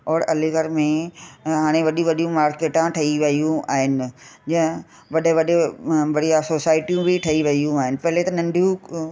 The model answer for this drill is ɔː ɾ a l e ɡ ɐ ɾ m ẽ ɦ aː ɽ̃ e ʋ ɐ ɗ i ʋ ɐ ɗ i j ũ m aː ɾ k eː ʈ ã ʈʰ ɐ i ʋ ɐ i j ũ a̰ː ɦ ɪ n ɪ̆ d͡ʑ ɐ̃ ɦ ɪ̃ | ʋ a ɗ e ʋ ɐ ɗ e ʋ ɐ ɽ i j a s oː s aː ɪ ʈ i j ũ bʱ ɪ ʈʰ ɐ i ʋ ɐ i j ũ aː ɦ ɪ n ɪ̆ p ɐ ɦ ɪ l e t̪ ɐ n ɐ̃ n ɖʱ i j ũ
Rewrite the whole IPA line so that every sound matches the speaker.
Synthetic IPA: ɔː ɾ ɐ l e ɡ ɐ ɾ m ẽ ɦ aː ɽ̃ e ʋ ɐ ɗ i ʋ ɐ ɗ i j ũ m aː ɾ k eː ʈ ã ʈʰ ɐ i ʋ ɐ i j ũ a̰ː ɦ ɪ n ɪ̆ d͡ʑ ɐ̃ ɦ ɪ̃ | ʋ ɐ ɗ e ʋ ɐ ɗ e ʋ ɐ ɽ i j a s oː s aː ɪ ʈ i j ũ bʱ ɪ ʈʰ ɐ i ʋ ɐ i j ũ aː ɦ ɪ n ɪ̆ p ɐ ɦ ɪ l e t̪ ɐ n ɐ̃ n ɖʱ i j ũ